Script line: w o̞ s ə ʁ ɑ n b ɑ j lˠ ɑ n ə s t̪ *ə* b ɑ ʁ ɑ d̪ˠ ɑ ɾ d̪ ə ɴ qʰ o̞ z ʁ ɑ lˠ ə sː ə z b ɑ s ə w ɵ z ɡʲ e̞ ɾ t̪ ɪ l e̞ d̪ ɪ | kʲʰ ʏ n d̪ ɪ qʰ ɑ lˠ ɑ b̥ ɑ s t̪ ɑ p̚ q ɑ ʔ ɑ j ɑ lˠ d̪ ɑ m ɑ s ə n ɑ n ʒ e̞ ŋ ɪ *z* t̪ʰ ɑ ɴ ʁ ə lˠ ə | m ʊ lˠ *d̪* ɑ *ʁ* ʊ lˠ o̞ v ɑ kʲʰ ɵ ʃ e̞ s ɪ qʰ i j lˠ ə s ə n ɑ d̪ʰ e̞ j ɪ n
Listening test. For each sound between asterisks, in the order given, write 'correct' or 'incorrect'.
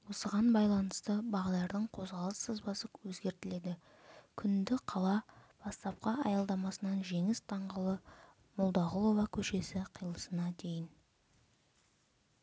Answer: correct, incorrect, correct, correct

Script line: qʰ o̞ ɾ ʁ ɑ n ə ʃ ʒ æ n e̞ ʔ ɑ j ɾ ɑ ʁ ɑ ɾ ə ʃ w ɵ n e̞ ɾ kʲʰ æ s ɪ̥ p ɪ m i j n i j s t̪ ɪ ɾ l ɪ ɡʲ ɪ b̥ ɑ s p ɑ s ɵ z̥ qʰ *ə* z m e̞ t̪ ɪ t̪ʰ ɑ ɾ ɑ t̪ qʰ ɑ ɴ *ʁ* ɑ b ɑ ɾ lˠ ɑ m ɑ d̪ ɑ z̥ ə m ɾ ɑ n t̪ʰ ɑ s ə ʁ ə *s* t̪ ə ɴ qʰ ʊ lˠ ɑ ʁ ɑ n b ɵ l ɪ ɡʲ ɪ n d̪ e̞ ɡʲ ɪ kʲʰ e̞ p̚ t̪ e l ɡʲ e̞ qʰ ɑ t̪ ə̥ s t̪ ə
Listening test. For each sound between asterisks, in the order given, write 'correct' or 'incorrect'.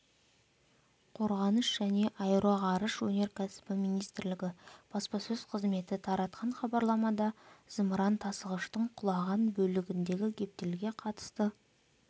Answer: correct, incorrect, incorrect

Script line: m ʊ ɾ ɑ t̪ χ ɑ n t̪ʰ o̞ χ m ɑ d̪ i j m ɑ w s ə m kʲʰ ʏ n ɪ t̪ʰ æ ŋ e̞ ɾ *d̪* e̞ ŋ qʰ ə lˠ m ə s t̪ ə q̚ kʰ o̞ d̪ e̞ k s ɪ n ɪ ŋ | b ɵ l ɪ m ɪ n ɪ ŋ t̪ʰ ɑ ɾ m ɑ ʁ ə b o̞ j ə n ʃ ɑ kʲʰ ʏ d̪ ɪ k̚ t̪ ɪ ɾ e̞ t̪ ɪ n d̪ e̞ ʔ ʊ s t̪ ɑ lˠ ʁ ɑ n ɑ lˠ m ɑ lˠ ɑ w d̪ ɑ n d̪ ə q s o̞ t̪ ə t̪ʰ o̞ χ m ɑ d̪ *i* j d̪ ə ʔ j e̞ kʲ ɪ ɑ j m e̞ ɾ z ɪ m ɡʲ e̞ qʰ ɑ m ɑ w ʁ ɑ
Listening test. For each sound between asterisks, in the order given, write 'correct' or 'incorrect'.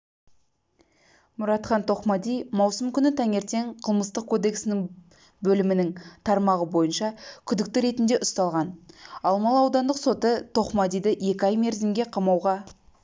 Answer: incorrect, correct

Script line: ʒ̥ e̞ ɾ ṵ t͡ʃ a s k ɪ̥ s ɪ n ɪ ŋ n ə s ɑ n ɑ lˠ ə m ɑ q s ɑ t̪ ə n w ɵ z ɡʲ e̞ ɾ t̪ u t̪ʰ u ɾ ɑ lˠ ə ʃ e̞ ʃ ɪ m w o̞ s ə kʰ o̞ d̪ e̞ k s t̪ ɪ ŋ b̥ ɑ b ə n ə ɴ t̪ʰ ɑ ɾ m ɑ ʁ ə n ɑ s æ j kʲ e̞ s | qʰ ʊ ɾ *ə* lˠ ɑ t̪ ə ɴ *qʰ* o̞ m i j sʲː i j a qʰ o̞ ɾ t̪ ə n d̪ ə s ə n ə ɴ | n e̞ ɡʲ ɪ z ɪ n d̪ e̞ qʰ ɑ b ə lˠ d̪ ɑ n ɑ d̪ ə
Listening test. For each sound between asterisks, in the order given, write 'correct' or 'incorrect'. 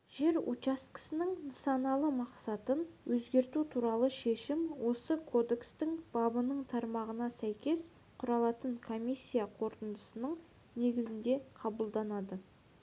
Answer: incorrect, incorrect

